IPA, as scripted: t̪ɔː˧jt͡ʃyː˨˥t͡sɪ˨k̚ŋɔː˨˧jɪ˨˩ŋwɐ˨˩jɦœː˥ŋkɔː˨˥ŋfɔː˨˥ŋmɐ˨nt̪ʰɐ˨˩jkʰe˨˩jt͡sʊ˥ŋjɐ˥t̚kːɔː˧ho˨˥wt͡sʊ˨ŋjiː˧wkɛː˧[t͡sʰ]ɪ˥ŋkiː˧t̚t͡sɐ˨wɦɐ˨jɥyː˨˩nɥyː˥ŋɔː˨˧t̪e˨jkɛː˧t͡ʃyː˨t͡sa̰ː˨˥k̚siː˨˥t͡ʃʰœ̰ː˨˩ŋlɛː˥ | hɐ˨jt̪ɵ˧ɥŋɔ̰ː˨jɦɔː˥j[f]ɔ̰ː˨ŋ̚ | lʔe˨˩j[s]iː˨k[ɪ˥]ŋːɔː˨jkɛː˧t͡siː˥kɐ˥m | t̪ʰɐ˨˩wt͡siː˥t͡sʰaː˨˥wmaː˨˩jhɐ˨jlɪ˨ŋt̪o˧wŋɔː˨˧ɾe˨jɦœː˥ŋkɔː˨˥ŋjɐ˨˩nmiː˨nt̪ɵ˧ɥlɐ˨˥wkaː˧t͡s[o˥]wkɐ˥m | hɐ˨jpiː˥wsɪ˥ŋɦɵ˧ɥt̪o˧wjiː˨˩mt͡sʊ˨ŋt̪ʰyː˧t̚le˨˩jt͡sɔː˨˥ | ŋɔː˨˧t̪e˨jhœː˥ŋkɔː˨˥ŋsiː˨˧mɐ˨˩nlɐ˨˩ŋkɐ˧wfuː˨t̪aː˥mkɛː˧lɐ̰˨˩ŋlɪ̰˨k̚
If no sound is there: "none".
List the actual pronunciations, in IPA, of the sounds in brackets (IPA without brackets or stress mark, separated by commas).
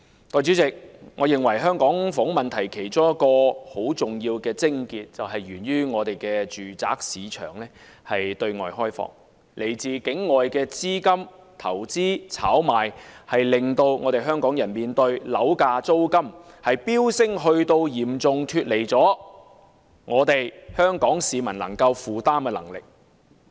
t͡s, f, t͡s, ɪ˨˥, o˥